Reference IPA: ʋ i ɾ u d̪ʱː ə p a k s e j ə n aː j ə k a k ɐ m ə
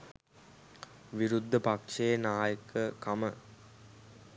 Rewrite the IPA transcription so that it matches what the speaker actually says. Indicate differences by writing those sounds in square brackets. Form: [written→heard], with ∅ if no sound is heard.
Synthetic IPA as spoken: ʋ i ɾ u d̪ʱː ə p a k [s→ʂ] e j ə n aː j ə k [a→ə] k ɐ m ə